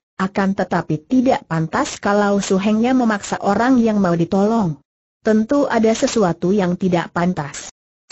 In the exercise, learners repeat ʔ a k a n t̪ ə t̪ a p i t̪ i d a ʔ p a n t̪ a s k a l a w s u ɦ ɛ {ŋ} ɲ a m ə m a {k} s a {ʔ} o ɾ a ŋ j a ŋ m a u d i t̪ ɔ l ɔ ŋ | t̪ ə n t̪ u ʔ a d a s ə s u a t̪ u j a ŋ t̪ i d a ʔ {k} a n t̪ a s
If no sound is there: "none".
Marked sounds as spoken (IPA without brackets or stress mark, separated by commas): ŋ, k, ʔ, p